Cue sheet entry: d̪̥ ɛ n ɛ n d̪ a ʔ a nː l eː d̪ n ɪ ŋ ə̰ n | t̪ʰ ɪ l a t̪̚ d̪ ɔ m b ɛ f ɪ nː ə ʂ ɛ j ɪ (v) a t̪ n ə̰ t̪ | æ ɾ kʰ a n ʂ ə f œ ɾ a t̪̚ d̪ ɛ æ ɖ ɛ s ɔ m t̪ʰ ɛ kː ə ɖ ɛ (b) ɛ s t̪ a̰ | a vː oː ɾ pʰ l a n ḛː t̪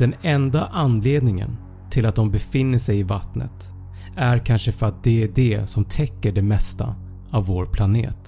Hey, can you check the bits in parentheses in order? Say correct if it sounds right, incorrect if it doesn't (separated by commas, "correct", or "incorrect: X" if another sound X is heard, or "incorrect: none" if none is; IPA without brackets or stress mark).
correct, incorrect: m